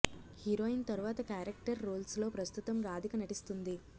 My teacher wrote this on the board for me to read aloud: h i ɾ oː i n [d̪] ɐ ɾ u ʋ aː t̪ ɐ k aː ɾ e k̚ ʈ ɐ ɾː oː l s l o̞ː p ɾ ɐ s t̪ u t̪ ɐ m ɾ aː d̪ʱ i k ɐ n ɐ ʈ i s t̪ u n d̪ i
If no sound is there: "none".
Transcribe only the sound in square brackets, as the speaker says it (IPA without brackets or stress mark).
t̪